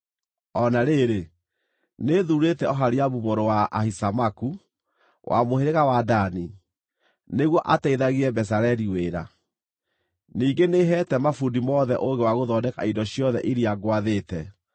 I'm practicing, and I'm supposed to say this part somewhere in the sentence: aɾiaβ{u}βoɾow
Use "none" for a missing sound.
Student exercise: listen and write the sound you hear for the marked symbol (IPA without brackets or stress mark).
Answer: u